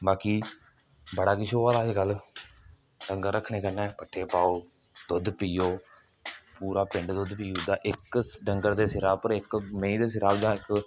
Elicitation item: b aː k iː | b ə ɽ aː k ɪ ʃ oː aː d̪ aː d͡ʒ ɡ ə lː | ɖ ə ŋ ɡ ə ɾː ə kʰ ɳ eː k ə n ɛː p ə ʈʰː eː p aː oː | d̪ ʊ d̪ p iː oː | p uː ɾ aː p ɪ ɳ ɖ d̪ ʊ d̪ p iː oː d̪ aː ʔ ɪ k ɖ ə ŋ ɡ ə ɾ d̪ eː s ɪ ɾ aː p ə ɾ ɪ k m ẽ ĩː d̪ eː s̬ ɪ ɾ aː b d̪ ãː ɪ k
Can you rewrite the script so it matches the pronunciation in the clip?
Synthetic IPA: b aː k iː | b ə ɽ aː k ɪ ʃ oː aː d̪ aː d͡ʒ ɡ ə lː | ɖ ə ŋ ɡ ə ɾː ə kʰ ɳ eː k ə n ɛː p ə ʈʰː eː p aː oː | d̪ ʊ d̪ p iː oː | p uː ɾ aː p ɪ ɳ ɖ d̪ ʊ d̪ p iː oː d̪ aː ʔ ɪ k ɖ ə ŋ ɡ ə ɾ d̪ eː s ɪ ɾ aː p ə ɾ ɪ k m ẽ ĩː d̪ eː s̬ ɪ ɾ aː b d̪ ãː ɪ k